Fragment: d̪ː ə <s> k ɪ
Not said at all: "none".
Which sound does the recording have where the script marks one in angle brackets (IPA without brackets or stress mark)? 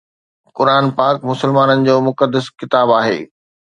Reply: s